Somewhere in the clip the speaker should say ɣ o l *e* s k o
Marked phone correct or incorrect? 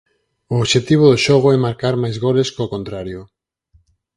correct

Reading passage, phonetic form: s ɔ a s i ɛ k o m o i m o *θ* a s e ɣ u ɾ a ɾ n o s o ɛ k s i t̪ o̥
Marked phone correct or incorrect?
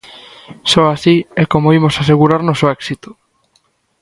incorrect: s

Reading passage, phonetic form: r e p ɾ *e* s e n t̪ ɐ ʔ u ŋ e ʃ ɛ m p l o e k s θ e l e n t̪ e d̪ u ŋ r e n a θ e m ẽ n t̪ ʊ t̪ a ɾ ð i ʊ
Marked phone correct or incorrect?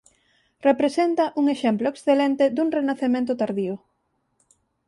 correct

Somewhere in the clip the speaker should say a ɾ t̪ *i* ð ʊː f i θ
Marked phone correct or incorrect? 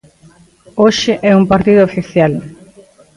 correct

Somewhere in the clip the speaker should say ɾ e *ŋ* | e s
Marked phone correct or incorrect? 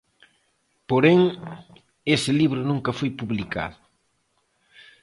correct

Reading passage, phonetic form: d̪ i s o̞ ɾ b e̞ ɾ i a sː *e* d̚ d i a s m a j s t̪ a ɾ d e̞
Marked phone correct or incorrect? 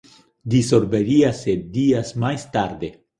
correct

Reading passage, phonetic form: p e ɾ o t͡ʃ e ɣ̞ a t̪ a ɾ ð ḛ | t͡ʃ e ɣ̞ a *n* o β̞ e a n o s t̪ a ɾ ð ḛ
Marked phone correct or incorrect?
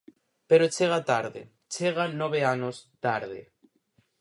correct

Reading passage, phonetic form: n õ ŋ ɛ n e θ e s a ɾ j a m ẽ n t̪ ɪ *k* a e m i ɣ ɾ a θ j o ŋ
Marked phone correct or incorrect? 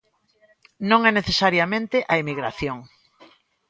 incorrect: ʔ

